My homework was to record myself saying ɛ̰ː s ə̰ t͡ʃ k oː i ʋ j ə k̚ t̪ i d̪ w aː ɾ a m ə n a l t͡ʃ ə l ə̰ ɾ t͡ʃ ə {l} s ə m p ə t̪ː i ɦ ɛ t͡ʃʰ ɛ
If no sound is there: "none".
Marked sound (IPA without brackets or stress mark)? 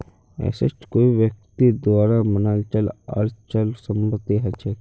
l